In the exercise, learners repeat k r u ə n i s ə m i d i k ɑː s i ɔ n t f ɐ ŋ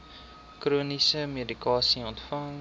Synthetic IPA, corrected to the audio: k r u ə n i s ə m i d i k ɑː s i ɔ n t f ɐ ŋ